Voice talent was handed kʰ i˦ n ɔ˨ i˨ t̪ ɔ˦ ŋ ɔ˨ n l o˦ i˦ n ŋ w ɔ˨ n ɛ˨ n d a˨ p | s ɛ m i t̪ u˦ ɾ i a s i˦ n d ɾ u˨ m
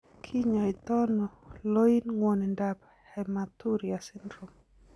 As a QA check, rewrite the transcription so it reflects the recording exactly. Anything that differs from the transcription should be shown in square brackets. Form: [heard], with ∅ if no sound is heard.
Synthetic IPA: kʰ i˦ [ɲ] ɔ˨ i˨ t̪ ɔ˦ [n] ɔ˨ [∅] l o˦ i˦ n ŋ w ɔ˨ n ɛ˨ n d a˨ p | [h] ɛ m [a] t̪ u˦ ɾ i a s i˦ n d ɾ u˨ m